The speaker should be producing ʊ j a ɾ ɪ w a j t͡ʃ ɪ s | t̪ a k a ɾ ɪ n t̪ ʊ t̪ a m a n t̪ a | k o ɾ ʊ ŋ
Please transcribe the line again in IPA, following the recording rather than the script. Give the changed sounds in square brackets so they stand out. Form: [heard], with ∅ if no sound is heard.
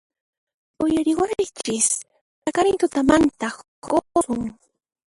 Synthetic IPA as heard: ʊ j a ɾ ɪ w a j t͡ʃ ɪ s | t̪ a k a ɾ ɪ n t̪ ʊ t̪ a m a n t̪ a | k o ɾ ʊ ŋ